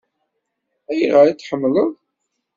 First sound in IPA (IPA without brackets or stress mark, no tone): æ